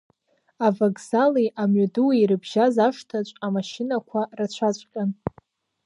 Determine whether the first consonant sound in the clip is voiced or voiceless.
voiced